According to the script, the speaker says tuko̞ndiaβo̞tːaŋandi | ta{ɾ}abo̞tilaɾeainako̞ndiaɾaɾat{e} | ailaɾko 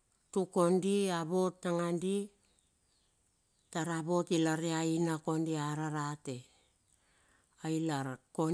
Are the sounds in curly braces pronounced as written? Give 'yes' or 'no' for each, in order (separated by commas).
yes, yes